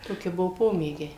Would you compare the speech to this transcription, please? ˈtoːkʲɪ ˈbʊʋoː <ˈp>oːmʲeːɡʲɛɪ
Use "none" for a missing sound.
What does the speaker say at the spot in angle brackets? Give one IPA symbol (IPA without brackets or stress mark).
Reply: p